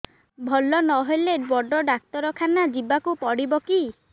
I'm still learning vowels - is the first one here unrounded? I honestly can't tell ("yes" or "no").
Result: no